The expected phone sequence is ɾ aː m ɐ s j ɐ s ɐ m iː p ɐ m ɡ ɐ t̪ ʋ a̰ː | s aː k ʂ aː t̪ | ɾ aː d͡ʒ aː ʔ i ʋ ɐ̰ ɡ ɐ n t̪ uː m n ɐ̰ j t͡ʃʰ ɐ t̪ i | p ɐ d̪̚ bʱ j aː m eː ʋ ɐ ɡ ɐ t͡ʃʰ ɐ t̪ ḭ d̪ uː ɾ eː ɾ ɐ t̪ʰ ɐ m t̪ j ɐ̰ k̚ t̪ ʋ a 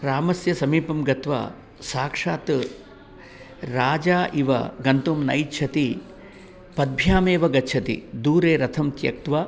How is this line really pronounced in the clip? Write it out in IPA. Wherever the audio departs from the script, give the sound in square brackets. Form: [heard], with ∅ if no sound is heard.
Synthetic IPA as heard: ɾ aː m ɐ s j ɐ s ɐ m iː p ɐ m ɡ ɐ t̪ ʋ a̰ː | s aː k ʂ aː t̪ | ɾ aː d͡ʒ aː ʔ i ʋ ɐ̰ ɡ ɐ n t̪ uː m n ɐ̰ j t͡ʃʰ ɐ t̪ i | p ɐ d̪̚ bʱ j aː m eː ʋ ɐ ɡ ɐ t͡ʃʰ ɐ t̪ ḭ d̪ uː ɾ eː ɾ ɐ t̪ʰ ɐ m t̪ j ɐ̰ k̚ t̪ ʋ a